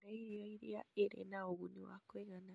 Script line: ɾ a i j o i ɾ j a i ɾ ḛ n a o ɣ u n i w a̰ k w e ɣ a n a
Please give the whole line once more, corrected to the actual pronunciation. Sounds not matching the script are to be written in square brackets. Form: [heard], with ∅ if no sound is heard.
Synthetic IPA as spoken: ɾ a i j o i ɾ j a [e] ɾ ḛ n a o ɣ u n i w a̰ k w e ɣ a n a